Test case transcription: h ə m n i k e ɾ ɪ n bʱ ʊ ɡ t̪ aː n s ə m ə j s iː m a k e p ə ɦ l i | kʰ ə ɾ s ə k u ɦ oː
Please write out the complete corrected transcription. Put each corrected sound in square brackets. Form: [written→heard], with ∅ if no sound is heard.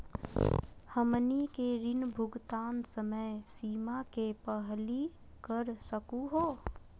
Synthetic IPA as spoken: h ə m n i k e ɾ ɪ n bʱ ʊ ɡ t̪ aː n s ə m ə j s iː m a k e p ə ɦ l i | [kʰ→k] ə ɾ s ə k u ɦ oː